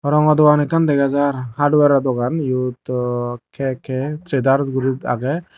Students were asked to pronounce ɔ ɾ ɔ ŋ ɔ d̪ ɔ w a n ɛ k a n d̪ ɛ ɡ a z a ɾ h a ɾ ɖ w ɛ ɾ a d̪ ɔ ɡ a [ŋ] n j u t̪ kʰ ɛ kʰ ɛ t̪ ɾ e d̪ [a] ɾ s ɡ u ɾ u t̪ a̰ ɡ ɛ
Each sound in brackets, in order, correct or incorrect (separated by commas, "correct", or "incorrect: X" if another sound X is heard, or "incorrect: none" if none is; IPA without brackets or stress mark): incorrect: none, correct